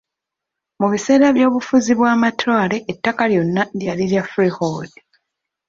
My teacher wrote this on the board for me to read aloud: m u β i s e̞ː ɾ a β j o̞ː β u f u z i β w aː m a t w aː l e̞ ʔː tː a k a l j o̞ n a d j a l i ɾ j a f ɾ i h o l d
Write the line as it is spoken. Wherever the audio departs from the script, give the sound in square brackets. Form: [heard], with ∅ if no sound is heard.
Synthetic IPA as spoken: m u β i s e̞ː ɾ a β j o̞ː β u f u z i β w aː m a t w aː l e̞ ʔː tː a k a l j o̞ [nː] a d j a l i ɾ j a f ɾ i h o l d